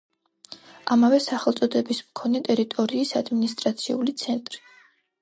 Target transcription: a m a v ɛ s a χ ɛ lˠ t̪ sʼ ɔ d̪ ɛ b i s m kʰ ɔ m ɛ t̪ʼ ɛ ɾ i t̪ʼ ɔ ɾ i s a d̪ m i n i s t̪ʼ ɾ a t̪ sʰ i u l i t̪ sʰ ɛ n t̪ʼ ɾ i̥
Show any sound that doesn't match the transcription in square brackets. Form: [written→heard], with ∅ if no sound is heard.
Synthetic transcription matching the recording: a m a v ɛ s a χ ɛ lˠ t̪ sʼ ɔ d̪ ɛ b i s m kʰ ɔ [m→n] ɛ t̪ʼ ɛ ɾ i t̪ʼ ɔ ɾ [i→iː] s a d̪ m i n i s t̪ʼ ɾ a t̪ sʰ i u l i t̪ sʰ ɛ n t̪ʼ ɾ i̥